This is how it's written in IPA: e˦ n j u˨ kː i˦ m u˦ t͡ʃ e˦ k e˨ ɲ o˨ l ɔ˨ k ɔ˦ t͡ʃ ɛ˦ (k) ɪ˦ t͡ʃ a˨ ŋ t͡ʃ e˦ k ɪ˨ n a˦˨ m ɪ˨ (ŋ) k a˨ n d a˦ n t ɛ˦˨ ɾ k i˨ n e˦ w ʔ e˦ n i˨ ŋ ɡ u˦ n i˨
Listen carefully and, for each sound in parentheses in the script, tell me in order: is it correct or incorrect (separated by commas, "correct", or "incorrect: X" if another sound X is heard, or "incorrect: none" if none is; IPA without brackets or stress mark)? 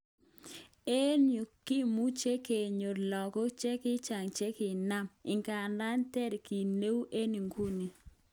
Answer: correct, correct